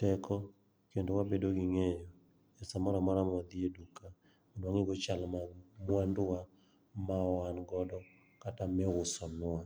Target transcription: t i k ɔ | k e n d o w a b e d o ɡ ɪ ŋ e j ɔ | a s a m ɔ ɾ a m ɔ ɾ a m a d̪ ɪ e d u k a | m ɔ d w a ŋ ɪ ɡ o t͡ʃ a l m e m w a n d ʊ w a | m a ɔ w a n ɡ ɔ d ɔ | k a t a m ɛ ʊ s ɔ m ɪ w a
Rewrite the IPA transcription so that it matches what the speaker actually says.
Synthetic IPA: t ɛ k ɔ | k e n d o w a b e d o ɡ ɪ ŋ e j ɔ | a s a m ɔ ɾ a m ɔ ɾ a m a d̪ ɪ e d u k a | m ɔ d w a ŋ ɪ ɡ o t͡ʃ a l m a m w a n d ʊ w a | m a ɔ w a n ɡ ɔ d ɔ | k a t a m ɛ ʊ s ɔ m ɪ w a